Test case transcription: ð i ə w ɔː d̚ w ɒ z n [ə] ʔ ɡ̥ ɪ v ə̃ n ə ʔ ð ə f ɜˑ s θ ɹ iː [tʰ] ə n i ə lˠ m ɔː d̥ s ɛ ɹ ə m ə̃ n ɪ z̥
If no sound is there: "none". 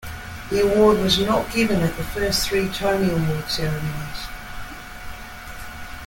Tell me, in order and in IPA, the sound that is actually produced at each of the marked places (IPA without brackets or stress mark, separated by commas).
ə, tʰ